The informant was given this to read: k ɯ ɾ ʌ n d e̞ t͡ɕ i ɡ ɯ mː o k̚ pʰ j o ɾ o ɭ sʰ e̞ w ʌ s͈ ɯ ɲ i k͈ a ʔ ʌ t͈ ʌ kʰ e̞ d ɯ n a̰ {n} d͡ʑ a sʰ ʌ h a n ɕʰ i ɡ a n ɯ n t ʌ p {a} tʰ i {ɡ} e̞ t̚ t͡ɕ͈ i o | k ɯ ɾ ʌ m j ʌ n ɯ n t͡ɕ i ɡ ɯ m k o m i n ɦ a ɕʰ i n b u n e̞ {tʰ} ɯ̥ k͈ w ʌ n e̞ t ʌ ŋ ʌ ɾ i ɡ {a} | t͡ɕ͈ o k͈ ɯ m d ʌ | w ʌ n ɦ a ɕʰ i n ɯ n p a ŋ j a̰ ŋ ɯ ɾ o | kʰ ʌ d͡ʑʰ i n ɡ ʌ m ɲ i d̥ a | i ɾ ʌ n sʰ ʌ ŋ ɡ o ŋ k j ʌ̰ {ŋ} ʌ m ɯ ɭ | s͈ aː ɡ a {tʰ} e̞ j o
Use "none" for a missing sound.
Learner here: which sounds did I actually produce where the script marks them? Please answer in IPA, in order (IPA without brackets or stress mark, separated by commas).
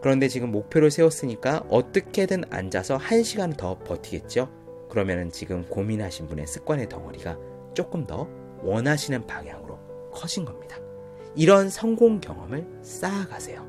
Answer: n, ʌ, ɡ, sʰ, a, ŋ, sʰ